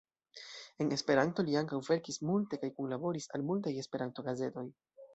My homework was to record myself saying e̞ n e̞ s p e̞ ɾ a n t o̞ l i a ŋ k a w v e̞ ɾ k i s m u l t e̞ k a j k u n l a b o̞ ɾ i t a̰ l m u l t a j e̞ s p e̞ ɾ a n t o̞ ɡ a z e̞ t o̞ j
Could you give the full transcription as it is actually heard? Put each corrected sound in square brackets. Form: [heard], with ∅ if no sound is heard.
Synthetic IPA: e̞ n e̞ s p e̞ ɾ a n t o̞ l i a ŋ k a w v e̞ ɾ k i s m u l t e̞ k a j k u n l a b o̞ ɾ i [s] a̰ l m u l t a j e̞ s p e̞ ɾ a n t o̞ ɡ a z e̞ t o̞ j